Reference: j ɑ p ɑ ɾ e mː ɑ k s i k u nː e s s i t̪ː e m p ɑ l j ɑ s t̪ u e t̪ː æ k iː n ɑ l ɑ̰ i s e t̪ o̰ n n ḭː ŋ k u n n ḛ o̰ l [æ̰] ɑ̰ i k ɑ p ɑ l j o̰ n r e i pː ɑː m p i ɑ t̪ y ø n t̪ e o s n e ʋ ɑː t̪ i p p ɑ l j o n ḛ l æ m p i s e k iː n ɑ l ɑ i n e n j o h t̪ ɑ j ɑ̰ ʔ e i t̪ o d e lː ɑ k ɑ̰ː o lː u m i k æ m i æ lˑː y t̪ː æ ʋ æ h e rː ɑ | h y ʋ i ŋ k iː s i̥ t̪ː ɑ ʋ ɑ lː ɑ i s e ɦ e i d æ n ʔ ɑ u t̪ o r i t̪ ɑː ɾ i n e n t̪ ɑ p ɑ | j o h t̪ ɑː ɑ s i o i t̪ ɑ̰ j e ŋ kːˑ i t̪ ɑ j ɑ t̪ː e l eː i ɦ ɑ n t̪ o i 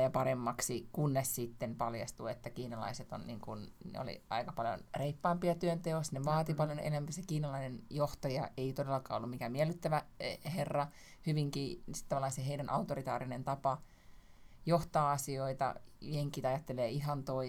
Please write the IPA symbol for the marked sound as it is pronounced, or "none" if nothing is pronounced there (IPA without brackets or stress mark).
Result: ḭ